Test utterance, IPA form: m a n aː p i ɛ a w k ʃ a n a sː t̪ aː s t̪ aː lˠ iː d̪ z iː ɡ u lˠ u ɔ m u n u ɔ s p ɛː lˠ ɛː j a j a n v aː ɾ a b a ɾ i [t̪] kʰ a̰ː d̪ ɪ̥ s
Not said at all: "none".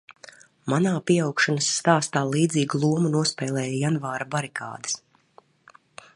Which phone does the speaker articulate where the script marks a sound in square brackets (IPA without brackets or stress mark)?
none